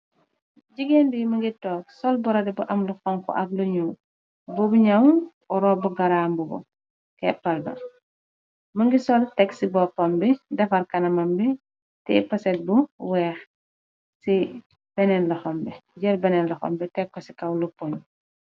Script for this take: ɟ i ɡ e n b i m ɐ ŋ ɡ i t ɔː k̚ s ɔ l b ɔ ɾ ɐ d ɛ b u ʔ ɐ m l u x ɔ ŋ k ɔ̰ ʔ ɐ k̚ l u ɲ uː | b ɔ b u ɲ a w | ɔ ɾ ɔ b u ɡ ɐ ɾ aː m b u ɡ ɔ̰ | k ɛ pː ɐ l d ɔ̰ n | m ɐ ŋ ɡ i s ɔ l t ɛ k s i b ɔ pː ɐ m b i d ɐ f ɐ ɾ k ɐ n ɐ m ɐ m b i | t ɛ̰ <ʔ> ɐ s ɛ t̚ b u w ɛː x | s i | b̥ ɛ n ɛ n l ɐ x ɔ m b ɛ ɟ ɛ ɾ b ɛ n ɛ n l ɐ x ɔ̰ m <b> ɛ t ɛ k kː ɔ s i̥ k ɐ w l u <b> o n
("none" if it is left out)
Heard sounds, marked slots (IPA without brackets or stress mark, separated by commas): p, b, p